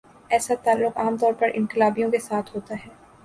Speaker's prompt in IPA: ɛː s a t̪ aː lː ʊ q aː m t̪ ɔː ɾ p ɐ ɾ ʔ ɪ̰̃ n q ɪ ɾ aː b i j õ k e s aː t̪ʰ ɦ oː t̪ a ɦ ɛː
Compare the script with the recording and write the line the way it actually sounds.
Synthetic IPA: ɛː s a t̪ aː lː ʊ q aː m t̪ ɔː ɾ p ɐ ɾ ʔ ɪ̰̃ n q ɪ l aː b i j õ k e s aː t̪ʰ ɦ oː t̪ a ɦ ɛː